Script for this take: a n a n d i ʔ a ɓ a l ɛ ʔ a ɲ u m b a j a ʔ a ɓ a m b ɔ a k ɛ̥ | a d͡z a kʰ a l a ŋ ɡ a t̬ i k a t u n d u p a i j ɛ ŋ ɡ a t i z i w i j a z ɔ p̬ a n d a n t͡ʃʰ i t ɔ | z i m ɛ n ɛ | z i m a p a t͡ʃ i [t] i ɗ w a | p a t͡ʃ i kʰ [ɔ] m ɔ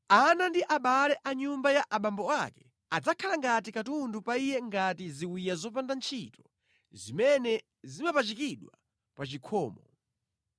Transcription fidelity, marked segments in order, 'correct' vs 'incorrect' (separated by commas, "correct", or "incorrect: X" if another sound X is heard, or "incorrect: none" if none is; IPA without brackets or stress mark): incorrect: k, incorrect: ɔː